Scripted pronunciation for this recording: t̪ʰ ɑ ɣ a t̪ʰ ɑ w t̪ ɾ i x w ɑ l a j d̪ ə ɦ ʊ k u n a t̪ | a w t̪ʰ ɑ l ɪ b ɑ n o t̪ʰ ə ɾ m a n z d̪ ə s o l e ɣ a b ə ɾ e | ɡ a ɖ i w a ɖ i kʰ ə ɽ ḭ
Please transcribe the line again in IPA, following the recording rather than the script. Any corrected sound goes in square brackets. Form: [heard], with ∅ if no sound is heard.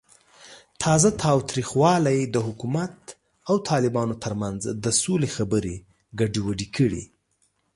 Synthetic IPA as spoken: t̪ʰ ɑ [z] a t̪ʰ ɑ w t̪ ɾ i x w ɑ l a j d̪ ə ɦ ʊ k u [m] a t̪ | a w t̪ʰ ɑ l ɪ b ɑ n o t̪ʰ ə ɾ m a n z d̪ ə s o l e [x] a b ə ɾ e | ɡ a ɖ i w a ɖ i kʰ ə ɽ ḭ